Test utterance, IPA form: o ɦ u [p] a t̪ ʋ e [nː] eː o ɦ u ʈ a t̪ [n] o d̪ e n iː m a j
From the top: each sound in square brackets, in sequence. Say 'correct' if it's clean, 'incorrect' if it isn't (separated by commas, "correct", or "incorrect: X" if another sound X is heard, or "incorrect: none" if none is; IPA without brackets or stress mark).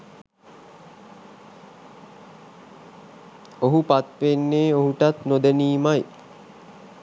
correct, correct, correct